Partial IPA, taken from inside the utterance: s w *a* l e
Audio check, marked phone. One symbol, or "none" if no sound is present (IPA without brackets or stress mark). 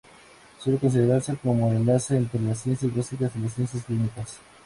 e